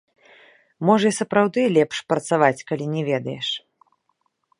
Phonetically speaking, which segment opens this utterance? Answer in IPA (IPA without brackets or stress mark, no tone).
m